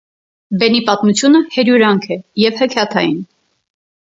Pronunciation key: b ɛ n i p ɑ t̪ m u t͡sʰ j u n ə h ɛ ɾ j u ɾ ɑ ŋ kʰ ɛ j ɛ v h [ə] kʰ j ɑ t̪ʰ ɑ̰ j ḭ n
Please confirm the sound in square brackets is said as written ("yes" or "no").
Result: yes